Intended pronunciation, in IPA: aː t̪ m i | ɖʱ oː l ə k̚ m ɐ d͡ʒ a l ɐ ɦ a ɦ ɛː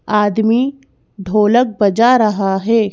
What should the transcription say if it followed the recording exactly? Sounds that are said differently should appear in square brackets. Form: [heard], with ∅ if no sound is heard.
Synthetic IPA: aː [d̪] m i | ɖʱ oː l ə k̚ [b] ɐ d͡ʒ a [ɾ] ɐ ɦ a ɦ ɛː

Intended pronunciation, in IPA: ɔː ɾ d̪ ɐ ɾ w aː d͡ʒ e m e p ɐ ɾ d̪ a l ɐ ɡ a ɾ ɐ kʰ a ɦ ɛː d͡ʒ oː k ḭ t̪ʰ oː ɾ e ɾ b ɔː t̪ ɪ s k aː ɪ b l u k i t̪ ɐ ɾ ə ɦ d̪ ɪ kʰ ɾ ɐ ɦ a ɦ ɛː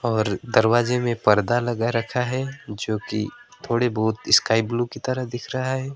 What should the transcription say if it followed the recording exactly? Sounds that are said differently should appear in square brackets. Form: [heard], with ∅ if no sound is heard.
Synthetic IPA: ɔː ɾ d̪ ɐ ɾ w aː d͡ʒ e m [ẽ] p ɐ ɾ d̪ a l ɐ ɡ a ɾ ɐ kʰ a ɦ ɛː d͡ʒ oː k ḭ t̪ʰ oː [ɽ] e [∅] b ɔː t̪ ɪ s k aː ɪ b l u k i t̪ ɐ ɾ ə ɦ d̪ ɪ kʰ ɾ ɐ ɦ a ɦ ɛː

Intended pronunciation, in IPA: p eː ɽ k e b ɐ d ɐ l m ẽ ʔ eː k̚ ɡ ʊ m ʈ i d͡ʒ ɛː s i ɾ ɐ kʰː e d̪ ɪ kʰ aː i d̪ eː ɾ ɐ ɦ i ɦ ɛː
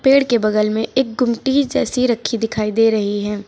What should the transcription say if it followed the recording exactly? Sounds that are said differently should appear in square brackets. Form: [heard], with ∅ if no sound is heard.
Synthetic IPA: p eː ɽ k e b ɐ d [ə] l m ẽ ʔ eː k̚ ɡ ʊ m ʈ i d͡ʒ ɛː s i ɾ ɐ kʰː [i] d̪ ɪ kʰ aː i d̪ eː ɾ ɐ ɦ i ɦ ɛː

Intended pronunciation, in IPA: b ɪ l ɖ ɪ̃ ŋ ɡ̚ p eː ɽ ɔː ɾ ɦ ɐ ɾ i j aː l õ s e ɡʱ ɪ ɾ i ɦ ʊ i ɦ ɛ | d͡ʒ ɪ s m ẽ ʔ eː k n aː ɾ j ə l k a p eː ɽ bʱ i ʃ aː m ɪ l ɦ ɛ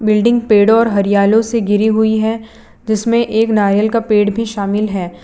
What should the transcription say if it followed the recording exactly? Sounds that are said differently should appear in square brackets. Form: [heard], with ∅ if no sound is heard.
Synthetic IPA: b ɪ l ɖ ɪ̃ ŋ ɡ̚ p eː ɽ ɔː ɾ ɦ ɐ ɾ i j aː l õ s e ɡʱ ɪ ɾ i ɦ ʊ i ɦ ɛ | d͡ʒ ɪ s m ẽ ʔ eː k n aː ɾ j ə l k a p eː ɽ bʱ i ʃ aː m ɪ l ɦ [ɛː]

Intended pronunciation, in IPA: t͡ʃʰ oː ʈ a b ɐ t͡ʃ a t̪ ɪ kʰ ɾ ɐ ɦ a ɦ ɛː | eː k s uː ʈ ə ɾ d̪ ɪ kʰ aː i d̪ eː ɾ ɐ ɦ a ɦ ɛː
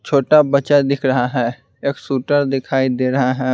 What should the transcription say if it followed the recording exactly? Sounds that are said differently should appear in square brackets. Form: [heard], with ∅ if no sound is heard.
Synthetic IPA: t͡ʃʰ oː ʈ a b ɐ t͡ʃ a [d̪] ɪ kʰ ɾ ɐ ɦ a ɦ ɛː | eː k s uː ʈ ə ɾ d̪ ɪ kʰ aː i d̪ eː ɾ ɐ ɦ a ɦ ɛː

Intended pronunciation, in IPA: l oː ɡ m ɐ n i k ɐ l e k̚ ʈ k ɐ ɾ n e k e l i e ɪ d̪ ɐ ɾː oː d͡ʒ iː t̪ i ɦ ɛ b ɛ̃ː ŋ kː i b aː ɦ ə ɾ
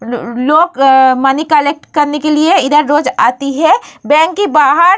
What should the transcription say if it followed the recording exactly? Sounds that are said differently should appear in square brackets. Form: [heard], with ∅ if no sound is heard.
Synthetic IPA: l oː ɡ m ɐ n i k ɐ l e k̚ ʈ k ɐ ɾ n e k e l i e ɪ d̪ [ə] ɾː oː d͡ʒ [aː] t̪ i ɦ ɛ b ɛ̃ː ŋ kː i b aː ɦ ə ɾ

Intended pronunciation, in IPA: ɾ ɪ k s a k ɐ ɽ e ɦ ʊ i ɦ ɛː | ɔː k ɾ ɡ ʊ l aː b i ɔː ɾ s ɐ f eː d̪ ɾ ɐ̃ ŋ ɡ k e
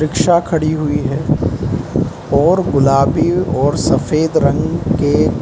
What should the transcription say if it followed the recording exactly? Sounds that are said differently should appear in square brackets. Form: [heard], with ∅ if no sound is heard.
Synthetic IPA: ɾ ɪ k [ʃ] a [kʰ] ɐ ɽ [i] ɦ ʊ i ɦ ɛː | ɔː [∅] ɾ ɡ ʊ l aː b i ɔː ɾ s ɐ f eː d̪ ɾ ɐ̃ ŋ ɡ k e

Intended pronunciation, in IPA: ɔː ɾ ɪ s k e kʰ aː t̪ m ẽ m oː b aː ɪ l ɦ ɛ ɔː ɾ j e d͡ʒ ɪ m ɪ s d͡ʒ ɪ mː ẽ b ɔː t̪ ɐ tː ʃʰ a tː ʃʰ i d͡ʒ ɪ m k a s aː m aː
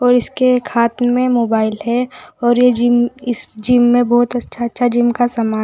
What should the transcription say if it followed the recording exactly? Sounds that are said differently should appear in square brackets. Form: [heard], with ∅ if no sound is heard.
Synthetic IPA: ɔː ɾ ɪ s k e kʰ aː t̪ m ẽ m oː b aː ɪ l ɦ ɛ ɔː ɾ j e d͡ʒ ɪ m ɪ s d͡ʒ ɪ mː ẽ b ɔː t̪ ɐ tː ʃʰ a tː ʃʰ [a] d͡ʒ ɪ m k a s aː m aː

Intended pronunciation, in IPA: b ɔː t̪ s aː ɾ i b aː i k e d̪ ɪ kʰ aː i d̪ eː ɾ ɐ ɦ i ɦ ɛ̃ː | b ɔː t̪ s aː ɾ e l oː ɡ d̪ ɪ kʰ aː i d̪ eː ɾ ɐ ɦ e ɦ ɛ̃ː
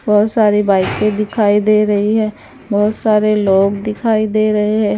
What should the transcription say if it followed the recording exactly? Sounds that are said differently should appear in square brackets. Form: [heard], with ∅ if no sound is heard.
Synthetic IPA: b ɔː t̪ s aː ɾ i b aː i k e d̪ ɪ kʰ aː i d̪ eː ɾ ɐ ɦ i ɦ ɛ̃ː | b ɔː t̪ s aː ɾ e l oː ɡ d̪ ɪ kʰ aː i d̪ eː ɾ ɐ ɦ e ɦ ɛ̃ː

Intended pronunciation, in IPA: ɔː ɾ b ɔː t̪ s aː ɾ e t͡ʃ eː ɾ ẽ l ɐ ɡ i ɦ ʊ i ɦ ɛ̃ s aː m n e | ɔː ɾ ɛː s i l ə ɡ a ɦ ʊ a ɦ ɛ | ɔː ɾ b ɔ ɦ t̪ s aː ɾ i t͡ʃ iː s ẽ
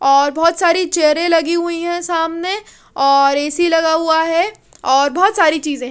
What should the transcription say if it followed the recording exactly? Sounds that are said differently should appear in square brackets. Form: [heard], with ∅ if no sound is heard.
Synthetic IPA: ɔː ɾ b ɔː t̪ s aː ɾ [i] t͡ʃ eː ɾ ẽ l ɐ ɡ i ɦ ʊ i ɦ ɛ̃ s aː m n e | ɔː ɾ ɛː s i l [ɐ] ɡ a ɦ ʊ a ɦ ɛ | ɔː ɾ b ɔ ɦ t̪ s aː ɾ i t͡ʃ iː [z] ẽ

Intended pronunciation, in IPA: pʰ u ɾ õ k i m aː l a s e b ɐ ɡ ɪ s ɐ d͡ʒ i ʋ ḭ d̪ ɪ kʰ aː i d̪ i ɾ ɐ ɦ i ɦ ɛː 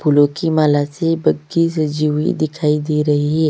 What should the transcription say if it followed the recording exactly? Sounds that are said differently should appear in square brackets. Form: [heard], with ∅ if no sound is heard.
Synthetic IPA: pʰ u [l] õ k i m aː l a s e b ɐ ɡ [i] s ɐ d͡ʒ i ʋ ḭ d̪ ɪ kʰ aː i d̪ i ɾ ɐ ɦ i ɦ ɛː

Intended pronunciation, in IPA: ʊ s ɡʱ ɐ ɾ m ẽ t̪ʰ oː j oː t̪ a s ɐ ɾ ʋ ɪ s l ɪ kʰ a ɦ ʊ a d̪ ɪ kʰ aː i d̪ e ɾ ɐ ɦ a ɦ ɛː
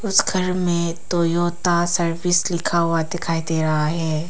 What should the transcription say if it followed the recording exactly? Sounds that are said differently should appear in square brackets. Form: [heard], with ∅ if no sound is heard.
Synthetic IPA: ʊ s ɡʱ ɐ ɾ m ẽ [t̪] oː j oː t̪ a s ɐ ɾ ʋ ɪ s l ɪ kʰ a ɦ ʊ a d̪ ɪ kʰ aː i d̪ e ɾ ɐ ɦ a ɦ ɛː

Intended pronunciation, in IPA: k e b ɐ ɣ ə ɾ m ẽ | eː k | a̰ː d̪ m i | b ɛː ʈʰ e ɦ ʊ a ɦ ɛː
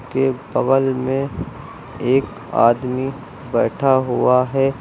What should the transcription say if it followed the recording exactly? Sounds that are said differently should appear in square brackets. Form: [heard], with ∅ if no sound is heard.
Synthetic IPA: k e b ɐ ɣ ə [l] m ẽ | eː k | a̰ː d̪ m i | b ɛː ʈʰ [a] ɦ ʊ a ɦ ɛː

